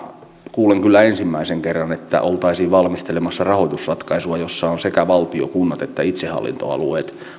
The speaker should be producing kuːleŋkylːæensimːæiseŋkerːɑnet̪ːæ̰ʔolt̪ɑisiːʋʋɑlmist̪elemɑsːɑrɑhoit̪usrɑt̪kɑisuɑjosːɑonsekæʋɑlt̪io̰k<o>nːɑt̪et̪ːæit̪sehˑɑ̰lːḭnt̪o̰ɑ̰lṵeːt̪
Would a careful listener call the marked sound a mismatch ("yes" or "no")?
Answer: yes